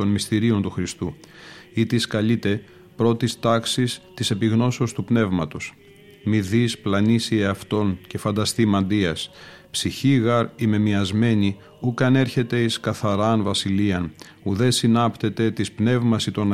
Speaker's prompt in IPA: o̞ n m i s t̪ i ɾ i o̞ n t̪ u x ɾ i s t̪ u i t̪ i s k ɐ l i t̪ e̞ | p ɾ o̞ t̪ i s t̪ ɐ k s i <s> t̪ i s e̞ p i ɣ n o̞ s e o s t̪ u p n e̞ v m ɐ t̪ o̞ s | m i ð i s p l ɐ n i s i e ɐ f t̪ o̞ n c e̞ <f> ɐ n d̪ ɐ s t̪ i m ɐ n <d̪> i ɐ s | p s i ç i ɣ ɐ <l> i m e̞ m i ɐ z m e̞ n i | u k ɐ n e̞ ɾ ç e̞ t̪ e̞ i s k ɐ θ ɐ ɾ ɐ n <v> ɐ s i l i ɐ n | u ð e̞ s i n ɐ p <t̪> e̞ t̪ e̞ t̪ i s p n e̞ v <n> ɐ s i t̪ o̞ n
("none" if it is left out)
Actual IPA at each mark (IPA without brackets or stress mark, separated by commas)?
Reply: s, f, d̪, ɾ, v, t̪, m